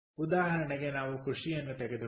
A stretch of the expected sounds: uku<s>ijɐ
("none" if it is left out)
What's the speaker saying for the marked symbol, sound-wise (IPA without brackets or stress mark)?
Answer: ʂ